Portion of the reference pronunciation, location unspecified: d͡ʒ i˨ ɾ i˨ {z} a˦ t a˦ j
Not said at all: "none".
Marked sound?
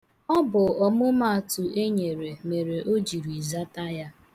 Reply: z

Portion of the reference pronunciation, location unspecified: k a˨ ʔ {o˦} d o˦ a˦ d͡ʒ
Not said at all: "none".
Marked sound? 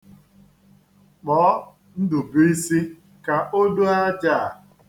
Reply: o˦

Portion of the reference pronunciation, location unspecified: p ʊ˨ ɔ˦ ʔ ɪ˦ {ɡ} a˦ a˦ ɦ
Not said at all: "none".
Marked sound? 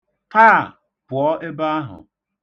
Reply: b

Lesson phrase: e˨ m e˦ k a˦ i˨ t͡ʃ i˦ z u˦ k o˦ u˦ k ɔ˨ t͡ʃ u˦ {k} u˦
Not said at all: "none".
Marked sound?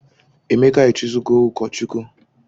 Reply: k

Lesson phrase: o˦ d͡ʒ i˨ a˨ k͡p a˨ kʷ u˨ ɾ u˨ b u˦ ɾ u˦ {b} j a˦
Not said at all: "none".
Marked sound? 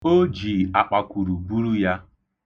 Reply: none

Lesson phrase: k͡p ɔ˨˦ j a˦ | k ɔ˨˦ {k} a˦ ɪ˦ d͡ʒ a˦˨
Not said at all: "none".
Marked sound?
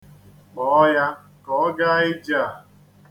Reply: ɡ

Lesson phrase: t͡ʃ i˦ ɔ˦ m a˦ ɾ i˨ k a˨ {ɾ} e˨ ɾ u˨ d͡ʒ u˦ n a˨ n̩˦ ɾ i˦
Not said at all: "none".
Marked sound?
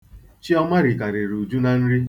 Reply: ɾ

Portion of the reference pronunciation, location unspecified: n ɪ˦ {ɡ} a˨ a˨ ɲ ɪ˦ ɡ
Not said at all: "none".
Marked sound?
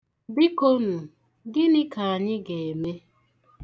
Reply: k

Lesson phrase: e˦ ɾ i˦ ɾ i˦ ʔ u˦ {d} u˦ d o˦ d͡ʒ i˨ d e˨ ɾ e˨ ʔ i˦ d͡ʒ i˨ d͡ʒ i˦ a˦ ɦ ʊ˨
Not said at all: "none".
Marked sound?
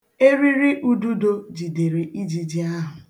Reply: d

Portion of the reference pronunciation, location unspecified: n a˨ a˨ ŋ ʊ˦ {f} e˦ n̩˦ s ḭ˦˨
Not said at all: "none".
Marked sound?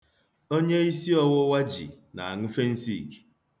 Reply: f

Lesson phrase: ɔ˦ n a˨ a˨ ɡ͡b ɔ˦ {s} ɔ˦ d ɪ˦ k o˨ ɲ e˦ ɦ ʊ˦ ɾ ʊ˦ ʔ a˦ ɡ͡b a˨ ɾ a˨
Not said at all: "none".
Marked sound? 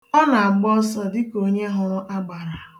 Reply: s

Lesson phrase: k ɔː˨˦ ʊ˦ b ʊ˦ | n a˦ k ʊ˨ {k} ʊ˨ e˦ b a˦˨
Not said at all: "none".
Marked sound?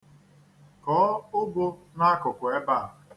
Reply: k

